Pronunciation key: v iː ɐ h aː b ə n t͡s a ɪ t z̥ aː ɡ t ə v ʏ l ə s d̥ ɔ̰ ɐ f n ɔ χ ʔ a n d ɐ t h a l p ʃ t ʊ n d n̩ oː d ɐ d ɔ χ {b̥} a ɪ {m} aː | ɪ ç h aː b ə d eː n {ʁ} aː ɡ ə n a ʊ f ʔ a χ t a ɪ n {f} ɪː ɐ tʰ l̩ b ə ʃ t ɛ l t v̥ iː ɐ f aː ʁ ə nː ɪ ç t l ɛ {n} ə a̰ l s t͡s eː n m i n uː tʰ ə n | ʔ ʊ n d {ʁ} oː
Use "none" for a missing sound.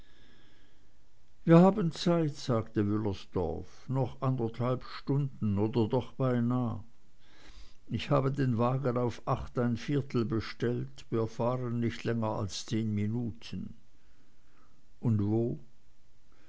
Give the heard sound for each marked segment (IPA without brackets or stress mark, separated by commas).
b̥, n, v, f, ŋ, v